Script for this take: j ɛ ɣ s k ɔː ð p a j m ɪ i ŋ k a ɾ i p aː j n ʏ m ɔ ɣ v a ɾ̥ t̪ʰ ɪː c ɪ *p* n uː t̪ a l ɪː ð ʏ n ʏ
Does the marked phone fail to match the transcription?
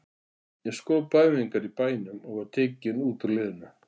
yes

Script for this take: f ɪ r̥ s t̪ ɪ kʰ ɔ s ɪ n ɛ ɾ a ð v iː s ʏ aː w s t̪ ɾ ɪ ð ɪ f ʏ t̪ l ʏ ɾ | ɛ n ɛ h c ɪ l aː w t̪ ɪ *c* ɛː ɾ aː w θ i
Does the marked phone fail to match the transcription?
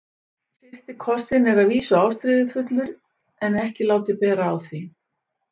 yes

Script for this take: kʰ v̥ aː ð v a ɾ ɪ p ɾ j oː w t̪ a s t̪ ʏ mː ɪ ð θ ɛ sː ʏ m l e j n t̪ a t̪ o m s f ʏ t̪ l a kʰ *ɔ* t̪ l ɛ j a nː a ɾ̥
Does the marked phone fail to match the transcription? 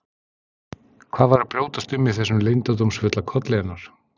no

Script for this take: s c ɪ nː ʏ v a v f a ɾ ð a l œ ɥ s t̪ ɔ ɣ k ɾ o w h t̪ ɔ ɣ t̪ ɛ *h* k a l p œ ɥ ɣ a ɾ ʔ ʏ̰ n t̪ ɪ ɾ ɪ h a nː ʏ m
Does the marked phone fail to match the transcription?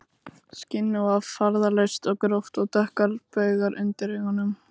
no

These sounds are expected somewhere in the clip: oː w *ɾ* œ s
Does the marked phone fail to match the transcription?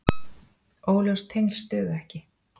yes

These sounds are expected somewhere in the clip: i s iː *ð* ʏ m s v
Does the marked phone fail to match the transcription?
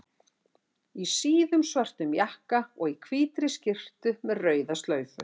no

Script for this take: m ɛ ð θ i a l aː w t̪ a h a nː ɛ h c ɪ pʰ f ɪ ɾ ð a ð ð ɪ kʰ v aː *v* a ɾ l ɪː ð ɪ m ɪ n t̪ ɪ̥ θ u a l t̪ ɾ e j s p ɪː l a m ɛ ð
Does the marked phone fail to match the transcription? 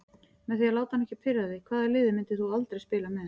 yes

